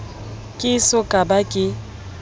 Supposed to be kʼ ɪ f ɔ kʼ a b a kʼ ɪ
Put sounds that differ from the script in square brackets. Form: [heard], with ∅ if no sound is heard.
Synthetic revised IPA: kʼ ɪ [s] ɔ kʼ a b a kʼ ɪ